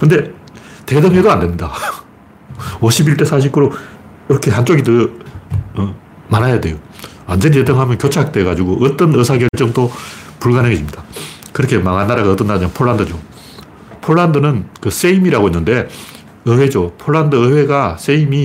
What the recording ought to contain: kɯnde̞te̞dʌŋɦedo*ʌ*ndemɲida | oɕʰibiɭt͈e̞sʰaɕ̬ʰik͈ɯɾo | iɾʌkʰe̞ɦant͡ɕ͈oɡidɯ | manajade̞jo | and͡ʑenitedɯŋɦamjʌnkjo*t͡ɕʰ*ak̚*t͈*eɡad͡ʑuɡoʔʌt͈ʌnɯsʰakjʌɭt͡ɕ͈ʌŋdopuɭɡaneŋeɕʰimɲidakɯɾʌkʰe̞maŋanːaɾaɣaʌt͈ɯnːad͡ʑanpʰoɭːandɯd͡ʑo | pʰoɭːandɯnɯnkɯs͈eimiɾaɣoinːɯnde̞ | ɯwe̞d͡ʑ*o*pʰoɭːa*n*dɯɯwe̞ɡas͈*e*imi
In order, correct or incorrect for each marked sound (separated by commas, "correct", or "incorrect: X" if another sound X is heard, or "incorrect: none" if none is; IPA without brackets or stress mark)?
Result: incorrect: a, correct, correct, correct, correct, correct